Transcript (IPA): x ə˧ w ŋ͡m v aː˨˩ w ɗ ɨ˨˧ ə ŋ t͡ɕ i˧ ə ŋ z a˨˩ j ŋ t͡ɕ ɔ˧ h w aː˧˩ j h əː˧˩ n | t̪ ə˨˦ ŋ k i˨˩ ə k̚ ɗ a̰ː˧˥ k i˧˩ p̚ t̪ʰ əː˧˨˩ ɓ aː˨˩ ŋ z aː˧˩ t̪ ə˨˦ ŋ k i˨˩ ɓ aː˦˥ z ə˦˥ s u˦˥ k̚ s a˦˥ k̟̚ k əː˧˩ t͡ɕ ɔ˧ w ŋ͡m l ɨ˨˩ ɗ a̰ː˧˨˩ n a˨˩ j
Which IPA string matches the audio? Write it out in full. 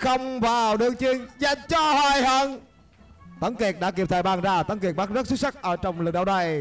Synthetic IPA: x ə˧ w ŋ͡m v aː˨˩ w ɗ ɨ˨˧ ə ŋ t͡ɕ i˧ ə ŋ z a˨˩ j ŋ t͡ɕ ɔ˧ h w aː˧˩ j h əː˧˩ n | t̪ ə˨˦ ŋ k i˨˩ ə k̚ ɗ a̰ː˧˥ k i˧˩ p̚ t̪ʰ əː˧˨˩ ɓ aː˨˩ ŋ z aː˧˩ t̪ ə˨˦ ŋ k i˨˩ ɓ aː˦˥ z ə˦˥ s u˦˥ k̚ s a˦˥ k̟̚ ʔ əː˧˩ t͡ɕ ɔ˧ w ŋ͡m l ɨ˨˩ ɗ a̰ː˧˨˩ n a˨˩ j

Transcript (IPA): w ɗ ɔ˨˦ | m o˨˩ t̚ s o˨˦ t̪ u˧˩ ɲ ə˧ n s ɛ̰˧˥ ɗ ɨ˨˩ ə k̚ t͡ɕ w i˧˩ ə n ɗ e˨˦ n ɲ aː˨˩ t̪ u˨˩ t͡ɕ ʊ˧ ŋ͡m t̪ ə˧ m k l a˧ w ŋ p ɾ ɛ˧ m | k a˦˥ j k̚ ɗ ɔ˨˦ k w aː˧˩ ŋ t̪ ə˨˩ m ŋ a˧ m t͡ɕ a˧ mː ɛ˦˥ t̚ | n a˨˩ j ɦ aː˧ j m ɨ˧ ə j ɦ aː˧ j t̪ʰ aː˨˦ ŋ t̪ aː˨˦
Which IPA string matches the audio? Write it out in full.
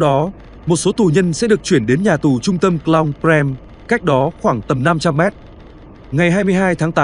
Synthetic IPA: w ɗ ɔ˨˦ | m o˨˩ t̚ s o˨˦ t̪ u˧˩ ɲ ə˧ n s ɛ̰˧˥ ɗ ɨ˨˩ ə k̚ t͡ɕ w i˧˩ ə n ɗ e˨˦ n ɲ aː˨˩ t̪ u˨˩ t͡ɕ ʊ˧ ŋ͡m t̪ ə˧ m k l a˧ w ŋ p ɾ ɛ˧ m | k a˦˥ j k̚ ɗ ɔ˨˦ x w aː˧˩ ŋ t̪ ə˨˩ m n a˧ m t͡ɕ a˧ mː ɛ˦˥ t̚ | ŋ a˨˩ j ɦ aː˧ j m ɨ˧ ə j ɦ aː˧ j t̪ʰ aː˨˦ ŋ t̪ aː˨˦

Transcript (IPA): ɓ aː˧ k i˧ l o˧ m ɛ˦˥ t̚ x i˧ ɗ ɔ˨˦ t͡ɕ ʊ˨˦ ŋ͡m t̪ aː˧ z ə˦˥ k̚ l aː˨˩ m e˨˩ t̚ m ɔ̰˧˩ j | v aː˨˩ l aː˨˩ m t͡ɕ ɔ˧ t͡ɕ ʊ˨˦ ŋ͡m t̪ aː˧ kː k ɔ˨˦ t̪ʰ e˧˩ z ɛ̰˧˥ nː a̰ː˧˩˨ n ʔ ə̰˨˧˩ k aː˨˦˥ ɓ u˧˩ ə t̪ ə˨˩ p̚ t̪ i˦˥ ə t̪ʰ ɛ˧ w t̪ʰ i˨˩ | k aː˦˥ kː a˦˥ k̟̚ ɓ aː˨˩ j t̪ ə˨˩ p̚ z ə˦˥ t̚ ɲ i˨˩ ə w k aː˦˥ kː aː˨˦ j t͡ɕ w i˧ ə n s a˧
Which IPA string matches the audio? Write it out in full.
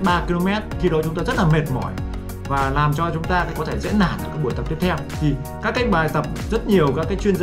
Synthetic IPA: ɓ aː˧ k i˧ l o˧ m ɛ˦˥ t̚ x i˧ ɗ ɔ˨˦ t͡ɕ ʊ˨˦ ŋ͡m t̪ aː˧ z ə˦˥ t̚ l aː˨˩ m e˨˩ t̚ m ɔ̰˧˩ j | v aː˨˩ l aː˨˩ m t͡ɕ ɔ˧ t͡ɕ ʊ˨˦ ŋ͡m t̪ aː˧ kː k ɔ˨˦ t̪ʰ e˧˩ z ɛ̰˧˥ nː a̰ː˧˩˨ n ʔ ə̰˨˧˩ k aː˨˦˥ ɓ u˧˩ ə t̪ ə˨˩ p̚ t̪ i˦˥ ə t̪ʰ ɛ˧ w t̪ʰ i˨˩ | k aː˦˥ kː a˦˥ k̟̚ ɓ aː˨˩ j t̪ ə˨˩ p̚ z ə˦˥ t̚ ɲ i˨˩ ə w k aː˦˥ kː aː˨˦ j t͡ɕ w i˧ ə n z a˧

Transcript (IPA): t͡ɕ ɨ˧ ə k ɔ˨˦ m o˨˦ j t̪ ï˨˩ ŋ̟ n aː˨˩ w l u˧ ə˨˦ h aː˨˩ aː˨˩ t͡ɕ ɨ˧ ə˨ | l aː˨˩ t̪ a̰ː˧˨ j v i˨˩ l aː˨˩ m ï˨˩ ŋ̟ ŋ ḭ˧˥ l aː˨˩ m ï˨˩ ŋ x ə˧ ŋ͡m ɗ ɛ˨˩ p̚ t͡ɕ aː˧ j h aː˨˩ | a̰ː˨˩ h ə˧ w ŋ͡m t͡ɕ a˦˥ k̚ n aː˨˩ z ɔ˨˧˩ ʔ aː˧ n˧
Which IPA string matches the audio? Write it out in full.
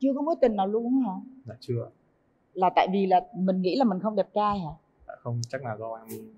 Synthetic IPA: t͡ɕ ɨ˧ ə k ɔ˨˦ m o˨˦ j t̪ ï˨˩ ŋ̟ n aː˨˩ w l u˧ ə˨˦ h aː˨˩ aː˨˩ t͡ɕ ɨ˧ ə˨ | l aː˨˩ t̪ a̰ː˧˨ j v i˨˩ l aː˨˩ m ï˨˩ ŋ̟ ŋ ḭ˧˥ l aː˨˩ m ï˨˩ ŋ x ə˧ ŋ͡m ɗ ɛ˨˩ p̚ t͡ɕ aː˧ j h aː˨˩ | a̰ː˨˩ x ə˧ w ŋ͡m t͡ɕ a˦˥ k̚ n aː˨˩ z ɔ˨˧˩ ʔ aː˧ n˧

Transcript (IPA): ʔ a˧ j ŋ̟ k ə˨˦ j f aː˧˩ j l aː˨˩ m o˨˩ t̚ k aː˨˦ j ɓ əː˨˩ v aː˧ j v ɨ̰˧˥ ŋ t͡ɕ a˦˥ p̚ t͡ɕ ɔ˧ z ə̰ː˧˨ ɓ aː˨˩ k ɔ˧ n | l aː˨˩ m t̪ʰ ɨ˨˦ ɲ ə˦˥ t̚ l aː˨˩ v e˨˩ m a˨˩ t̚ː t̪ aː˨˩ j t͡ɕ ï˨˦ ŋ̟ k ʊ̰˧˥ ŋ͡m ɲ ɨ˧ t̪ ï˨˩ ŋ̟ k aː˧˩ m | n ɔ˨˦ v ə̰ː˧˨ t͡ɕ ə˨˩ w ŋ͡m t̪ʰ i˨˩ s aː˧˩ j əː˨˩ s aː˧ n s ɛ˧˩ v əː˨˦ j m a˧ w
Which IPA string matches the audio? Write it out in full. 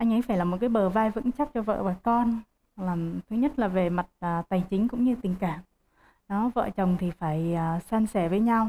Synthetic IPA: ʔ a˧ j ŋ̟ ʔ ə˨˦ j f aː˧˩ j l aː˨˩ m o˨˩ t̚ k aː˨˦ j ɓ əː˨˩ v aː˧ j v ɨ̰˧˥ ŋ t͡ɕ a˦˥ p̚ t͡ɕ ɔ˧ v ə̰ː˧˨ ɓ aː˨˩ k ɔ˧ n | l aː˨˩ m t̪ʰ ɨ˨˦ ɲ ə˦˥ t̚ l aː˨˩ v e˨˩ m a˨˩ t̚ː t̪ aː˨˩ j t͡ɕ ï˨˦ ŋ̟ k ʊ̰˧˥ ŋ͡m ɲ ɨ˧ t̪ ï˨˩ ŋ̟ k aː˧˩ m | n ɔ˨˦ v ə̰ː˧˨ t͡ɕ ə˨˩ w ŋ͡m t̪ʰ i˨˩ f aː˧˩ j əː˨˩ s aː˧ n s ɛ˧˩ v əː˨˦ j ɲ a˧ w

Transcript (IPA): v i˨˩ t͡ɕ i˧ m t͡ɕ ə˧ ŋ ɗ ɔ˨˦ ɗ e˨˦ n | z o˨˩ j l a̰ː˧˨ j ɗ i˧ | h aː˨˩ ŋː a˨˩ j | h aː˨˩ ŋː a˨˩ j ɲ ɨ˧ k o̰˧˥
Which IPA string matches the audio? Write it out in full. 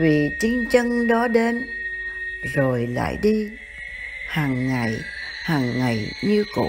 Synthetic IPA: v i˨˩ t͡ɕ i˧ ŋ t͡ɕ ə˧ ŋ ɗ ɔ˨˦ ɗ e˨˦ n | z o˨˩ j l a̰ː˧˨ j ɗ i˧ | h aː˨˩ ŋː a˨˩ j | h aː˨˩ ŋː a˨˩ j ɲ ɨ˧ k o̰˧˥

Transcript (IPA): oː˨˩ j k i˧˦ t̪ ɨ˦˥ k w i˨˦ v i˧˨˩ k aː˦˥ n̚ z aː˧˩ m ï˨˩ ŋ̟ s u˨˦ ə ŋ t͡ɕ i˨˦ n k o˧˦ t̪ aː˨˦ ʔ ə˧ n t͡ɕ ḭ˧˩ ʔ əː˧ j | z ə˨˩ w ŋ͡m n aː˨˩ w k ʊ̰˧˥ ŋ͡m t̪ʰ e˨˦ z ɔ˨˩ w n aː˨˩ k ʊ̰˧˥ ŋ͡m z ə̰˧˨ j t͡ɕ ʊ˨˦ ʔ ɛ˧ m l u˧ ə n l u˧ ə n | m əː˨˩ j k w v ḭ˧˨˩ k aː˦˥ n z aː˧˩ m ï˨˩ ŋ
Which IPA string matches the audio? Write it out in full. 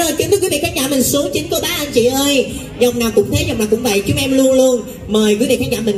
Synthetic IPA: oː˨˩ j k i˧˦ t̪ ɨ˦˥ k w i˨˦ v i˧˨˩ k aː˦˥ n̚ z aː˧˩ m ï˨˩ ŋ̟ s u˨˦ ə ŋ t͡ɕ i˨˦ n k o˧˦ t̪ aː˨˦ ʔ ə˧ n t͡ɕ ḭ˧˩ ʔ əː˧ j | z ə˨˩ w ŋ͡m n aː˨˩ w k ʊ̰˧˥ ŋ͡m t̪ʰ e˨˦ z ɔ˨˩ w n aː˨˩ k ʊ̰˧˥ ŋ͡m v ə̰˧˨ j t͡ɕ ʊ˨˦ ʔ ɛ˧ m l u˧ ə n l u˧ ə n | m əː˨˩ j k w v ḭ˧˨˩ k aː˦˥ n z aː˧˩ m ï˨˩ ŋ

